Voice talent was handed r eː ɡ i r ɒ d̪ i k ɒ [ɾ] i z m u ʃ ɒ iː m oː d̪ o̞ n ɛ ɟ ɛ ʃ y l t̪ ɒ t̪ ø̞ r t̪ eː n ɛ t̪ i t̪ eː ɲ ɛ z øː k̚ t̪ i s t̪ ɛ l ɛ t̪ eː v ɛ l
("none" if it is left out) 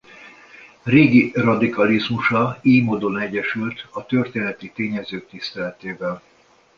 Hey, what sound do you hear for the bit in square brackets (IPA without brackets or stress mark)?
l